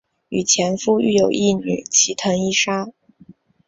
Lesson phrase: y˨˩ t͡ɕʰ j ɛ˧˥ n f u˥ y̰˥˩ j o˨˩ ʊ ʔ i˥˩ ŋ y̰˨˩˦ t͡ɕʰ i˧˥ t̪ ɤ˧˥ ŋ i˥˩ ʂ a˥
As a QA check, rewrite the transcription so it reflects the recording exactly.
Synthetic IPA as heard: y˨˩ t͡ɕʰ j ɛ˧˥ n f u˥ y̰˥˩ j o˨˩ ʊ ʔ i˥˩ n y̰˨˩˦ t͡ɕʰ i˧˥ t̪ʰ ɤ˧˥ ŋ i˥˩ ʂ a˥